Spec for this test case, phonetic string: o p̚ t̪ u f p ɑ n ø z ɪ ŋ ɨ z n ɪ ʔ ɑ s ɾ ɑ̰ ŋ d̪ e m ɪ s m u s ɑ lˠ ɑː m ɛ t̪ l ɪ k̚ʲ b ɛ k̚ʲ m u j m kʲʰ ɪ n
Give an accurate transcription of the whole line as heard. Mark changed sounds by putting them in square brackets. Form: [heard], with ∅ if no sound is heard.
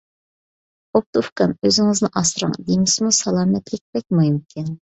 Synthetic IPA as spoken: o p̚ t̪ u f [k] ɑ n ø z ɪ ŋ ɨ z n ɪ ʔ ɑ s ɾ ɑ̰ ŋ d̪ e m ɪ s m u s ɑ lˠ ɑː m ɛ t̪ l ɪ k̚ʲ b ɛ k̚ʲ m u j m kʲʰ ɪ n